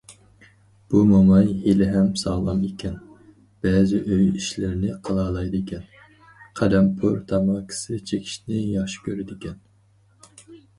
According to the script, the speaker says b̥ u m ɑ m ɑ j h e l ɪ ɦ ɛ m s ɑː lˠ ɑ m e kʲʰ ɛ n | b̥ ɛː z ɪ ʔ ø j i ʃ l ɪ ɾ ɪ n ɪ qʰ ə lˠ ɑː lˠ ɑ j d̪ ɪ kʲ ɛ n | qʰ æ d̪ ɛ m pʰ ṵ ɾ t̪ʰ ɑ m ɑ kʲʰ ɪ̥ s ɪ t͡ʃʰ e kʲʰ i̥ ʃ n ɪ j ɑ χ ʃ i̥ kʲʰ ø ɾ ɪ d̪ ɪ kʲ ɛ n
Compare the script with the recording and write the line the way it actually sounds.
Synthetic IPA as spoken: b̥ u m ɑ m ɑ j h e l ɪ ɦ ɛ m s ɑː lˠ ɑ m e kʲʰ ɛ n | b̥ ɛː z ɪ ʔ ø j i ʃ l ɪ ɾ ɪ n ɪ qʰ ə lˠ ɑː lˠ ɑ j d̪ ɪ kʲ ɛ n | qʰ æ d̪ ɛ m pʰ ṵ ɾ t̪ʰ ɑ m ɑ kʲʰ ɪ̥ s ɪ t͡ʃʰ e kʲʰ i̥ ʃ n ɪ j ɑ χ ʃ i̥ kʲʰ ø ɾ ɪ d̪ ɪ kʲ ɛ n